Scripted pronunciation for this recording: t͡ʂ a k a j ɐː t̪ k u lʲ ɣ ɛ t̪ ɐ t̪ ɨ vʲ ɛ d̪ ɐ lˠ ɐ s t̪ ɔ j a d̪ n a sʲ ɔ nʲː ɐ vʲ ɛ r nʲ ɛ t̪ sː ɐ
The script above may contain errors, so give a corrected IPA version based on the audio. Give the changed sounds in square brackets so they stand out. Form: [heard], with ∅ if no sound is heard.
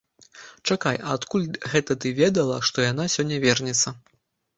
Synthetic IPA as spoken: t͡ʂ a k a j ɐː t̪ k u lʲ ɣ ɛ t̪ ɐ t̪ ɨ vʲ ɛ d̪ ɐ lˠ ɐ [ʂ] t̪ ɔ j a [∅] n a sʲ ɔ nʲː ɐ vʲ ɛ r nʲ ɛ t̪ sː ɐ

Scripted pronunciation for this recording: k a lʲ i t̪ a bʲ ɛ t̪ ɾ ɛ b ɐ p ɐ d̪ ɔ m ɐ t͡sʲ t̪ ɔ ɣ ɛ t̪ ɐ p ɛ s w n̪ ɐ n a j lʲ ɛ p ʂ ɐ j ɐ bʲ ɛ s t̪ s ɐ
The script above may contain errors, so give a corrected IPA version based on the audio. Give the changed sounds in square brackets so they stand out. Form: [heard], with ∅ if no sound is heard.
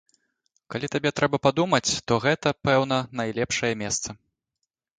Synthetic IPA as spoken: k a lʲ i t̪ a bʲ ɛ t̪ ɾ ɛ b ɐ p [a] d̪ [u] m ɐ t͡sʲ t̪ ɔ ɣ ɛ t̪ ɐ p ɛ [∅] w n̪ ɐ n a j lʲ ɛ p ʂ ɐ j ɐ [mʲ] ɛ s t̪ s ɐ

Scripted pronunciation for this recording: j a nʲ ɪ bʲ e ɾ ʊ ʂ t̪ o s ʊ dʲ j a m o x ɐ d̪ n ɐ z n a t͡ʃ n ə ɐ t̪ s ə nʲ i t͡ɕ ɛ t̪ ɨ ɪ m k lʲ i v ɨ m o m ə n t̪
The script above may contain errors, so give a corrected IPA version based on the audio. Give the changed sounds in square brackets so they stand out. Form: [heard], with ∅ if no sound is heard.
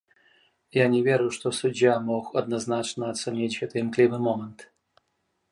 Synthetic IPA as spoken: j a nʲ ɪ [vʲ] e ɾ ʊ ʂ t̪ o s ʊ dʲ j a m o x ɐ d̪ n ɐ z n a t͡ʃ n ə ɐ t̪ s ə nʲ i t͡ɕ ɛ t̪ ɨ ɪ m k lʲ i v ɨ m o m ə n t̪

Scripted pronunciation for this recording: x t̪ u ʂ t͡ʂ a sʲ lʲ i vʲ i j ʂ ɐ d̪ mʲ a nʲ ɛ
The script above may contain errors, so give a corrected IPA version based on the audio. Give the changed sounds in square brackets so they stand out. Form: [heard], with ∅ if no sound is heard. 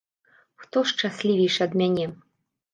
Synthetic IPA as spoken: x t̪ [ɔ] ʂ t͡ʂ a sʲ lʲ i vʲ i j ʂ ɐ d̪ mʲ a nʲ ɛ

